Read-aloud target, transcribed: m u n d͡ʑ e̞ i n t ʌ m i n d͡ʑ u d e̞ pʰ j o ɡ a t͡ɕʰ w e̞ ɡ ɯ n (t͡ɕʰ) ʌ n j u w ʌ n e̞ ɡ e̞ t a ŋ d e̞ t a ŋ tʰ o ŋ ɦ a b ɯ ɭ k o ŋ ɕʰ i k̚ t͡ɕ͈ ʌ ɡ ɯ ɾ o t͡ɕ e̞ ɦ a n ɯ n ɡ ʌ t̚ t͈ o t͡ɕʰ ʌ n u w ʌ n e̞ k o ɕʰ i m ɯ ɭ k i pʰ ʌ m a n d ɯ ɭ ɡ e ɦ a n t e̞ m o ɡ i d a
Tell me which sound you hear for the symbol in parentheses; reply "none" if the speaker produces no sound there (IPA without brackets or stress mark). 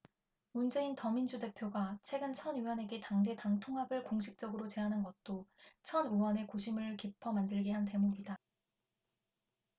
t͡ɕʰ